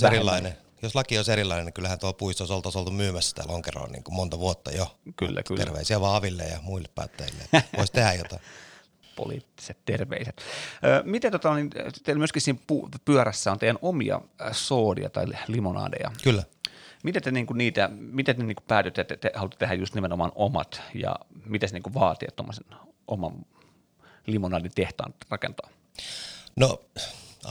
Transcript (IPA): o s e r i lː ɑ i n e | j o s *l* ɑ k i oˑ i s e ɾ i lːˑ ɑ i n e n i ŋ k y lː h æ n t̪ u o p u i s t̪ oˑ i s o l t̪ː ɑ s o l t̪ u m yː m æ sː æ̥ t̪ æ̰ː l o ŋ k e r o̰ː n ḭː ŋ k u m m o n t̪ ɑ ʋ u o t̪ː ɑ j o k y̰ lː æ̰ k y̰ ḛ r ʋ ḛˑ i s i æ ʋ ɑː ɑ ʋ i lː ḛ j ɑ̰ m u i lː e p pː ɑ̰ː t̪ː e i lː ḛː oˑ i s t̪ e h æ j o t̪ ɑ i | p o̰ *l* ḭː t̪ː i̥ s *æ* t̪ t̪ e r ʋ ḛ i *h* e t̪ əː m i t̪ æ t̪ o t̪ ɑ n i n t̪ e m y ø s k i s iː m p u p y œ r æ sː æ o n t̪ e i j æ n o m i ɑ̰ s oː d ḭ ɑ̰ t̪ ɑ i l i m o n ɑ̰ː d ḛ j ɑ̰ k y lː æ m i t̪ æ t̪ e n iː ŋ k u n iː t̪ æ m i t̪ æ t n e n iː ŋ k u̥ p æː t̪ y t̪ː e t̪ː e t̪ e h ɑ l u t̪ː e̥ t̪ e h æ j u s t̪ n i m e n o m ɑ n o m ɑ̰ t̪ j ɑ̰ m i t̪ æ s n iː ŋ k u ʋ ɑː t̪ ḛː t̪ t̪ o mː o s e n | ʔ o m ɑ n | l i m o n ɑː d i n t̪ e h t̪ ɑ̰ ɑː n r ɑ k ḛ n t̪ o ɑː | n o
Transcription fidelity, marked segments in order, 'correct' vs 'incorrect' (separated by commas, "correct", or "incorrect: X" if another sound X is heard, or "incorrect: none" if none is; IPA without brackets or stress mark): correct, correct, incorrect: e, incorrect: s